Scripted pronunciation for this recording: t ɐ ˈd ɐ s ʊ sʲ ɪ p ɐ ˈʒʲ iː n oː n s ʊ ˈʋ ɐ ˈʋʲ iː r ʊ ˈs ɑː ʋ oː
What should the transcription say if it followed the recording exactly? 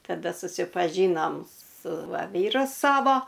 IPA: t ɐ ˈd ɐ s ʊ sʲ ɪ p ɐ ˈʒʲ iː n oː m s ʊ ˈʋ ɐ ˈʋʲ iː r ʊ ˈs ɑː ʋ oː